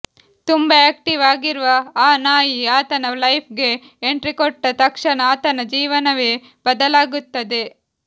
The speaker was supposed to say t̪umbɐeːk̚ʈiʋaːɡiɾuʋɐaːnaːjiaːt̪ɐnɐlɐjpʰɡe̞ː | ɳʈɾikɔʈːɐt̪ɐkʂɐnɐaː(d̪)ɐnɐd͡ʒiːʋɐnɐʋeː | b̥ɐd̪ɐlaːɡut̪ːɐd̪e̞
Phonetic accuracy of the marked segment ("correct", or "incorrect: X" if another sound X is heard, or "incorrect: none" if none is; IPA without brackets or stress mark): incorrect: t̪